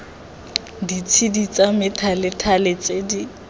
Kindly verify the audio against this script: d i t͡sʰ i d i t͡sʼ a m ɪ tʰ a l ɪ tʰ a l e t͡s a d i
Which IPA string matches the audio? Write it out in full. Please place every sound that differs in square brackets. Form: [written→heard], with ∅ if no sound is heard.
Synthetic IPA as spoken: d i t͡sʰ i d i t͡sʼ a m ɪ tʰ a l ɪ tʰ a l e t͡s [a→e] d i